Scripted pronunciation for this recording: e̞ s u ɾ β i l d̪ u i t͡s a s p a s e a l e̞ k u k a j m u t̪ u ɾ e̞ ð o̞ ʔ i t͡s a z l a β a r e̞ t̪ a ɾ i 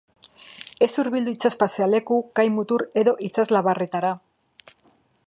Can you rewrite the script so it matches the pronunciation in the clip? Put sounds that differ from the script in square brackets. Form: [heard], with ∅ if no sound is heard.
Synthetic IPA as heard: e̞ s u ɾ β i l d̪ u i t͡s a s p a s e a l e̞ k u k a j m u t̪ u ɾ e̞ ð o̞ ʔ i t͡s a z l a β a r e̞ t̪ a ɾ [a]

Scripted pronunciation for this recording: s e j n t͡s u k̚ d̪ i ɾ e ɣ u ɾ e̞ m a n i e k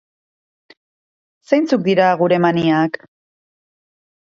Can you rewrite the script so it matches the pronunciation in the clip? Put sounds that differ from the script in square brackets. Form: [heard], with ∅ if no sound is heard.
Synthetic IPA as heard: s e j n t͡s u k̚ d̪ i ɾ [a] ɣ u ɾ e̞ m a n i [a] k

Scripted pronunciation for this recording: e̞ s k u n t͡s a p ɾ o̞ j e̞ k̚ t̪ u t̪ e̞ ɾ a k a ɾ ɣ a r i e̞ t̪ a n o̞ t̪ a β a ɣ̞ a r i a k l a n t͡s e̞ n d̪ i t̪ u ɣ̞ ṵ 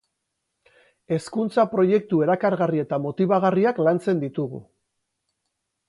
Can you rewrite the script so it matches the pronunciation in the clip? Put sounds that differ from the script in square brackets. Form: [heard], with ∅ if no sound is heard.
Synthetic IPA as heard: e̞ s k u n t͡s a p ɾ o̞ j e̞ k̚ t̪ u [∅] e̞ ɾ a k a ɾ ɣ a r i e̞ t̪ a [m] o̞ t̪ [i] β a ɣ̞ a r i a k l a n t͡s e̞ n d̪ i t̪ u ɣ̞ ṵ

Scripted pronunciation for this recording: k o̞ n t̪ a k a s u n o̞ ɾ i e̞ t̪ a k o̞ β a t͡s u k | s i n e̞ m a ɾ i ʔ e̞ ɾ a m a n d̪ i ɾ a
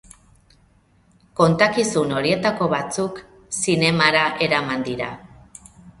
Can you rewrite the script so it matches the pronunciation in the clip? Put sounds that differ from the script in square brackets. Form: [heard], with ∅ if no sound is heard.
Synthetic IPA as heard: k o̞ n t̪ a k [i] s u n o̞ ɾ i e̞ t̪ a k o̞ β a t͡s u k | s i n e̞ m a ɾ [a] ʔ e̞ ɾ a m a n d̪ i ɾ a

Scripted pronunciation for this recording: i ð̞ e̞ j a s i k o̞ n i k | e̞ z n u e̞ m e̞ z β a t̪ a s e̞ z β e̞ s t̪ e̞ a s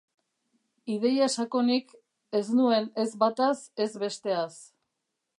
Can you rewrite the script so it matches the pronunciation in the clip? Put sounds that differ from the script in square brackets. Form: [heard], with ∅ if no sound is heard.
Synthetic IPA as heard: i ð̞ e̞ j a s [a] k o̞ n i k | e̞ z n u e̞ [n] e̞ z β a t̪ a s e̞ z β e̞ s t̪ e̞ a s

